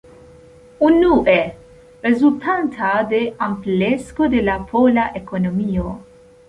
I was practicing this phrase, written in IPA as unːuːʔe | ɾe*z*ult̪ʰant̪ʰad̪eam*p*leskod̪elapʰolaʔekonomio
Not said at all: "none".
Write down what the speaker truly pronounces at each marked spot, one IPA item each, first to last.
z, p

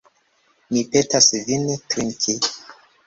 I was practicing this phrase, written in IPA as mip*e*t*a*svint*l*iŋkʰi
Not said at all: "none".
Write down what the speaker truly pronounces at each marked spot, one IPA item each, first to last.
e, a, ɾ

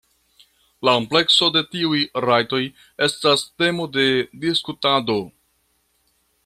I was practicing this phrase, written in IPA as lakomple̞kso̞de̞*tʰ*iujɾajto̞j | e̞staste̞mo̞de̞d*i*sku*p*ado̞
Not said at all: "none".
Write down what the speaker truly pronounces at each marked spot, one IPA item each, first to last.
t, i, t

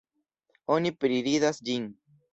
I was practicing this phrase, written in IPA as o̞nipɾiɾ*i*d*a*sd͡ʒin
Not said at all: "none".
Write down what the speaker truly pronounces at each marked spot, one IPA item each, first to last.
i, a

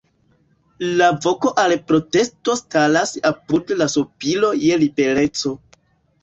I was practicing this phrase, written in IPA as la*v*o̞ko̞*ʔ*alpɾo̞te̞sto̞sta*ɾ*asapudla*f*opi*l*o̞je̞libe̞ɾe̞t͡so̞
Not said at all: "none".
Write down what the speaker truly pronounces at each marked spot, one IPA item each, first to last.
v, ʔ, l, s, l

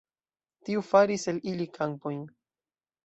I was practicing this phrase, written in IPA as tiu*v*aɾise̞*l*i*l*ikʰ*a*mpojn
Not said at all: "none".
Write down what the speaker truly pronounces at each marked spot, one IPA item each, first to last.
f, l, l, a

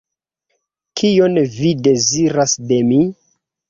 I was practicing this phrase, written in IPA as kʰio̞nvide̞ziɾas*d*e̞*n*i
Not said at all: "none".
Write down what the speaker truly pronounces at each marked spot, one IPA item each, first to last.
d, m

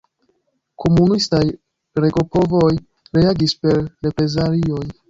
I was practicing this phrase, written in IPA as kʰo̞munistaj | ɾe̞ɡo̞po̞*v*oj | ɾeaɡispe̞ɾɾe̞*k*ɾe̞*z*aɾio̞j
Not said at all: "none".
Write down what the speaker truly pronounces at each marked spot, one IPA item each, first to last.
v, p, z

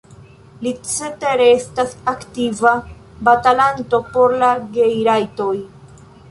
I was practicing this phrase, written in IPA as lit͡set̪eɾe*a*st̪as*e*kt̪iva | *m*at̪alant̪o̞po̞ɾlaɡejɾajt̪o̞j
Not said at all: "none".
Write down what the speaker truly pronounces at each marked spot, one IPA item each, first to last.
e, a, b

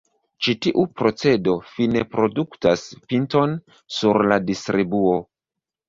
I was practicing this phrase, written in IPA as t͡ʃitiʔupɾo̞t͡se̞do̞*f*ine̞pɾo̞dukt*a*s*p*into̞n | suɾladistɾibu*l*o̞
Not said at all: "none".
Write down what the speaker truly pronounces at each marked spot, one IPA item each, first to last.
f, a, p, none

